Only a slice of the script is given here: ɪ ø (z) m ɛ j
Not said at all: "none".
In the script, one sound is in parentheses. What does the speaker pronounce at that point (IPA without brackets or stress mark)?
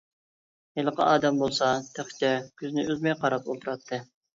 z